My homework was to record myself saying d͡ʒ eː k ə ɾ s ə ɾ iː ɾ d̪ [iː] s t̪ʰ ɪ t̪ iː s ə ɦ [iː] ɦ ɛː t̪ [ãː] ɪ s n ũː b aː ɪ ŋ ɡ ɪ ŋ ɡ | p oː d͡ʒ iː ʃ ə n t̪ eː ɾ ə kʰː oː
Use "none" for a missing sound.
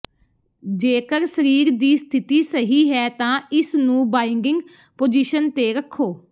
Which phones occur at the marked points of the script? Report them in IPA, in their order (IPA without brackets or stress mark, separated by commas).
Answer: iː, iː, ãː